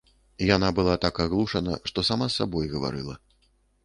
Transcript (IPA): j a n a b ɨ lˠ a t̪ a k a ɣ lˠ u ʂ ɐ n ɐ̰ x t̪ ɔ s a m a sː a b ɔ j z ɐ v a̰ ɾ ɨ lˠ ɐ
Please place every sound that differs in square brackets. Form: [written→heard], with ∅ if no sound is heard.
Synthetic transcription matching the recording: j a n a b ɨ lˠ a t̪ a k a ɣ lˠ u ʂ ɐ n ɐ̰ [x→ʂ] t̪ ɔ s a m a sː a b ɔ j [z→ɣ] ɐ v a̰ ɾ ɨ lˠ ɐ